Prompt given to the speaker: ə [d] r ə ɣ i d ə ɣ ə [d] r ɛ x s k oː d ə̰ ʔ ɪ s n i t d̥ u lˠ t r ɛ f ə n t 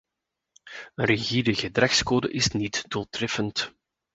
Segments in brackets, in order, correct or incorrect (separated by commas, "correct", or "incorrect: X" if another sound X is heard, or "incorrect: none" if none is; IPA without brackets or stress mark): incorrect: n, correct